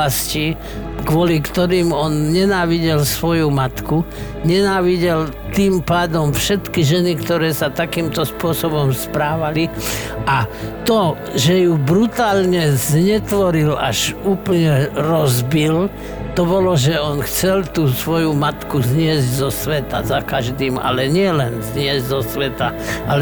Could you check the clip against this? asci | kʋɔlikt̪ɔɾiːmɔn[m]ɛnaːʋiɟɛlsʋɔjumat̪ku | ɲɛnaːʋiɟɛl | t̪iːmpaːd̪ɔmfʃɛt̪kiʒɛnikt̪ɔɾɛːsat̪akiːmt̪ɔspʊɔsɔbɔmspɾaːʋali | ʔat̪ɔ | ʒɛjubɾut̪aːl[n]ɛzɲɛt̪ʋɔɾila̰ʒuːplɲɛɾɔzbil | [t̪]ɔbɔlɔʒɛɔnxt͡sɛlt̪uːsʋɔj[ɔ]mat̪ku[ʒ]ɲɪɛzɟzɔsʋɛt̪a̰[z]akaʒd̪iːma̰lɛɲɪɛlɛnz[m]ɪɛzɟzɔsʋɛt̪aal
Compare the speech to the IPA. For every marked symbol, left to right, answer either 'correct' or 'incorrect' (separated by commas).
incorrect, incorrect, correct, incorrect, incorrect, correct, incorrect